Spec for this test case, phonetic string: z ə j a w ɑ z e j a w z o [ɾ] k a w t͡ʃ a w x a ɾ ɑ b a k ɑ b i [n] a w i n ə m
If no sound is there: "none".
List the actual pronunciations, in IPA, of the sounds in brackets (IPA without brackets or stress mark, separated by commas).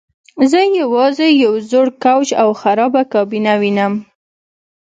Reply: ɽ, n